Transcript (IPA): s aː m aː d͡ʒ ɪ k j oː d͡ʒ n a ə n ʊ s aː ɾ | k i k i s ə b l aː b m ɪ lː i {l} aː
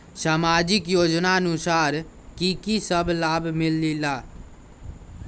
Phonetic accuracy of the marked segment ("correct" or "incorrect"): correct